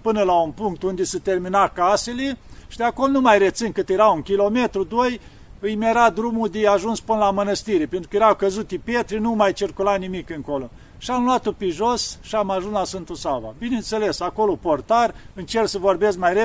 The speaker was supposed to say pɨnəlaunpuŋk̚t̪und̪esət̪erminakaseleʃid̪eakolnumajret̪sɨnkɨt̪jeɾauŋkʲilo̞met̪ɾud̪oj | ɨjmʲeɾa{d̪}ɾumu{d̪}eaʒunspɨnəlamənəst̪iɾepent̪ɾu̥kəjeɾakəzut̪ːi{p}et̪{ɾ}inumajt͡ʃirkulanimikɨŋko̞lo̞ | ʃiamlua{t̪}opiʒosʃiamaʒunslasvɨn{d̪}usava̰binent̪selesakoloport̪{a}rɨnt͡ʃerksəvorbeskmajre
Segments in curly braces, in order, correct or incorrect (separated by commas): correct, correct, correct, correct, correct, incorrect, correct